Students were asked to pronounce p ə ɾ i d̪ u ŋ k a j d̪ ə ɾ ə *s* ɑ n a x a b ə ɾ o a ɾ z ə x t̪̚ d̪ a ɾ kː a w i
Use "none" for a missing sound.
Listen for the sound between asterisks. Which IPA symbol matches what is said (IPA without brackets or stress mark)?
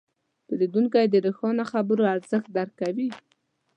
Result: x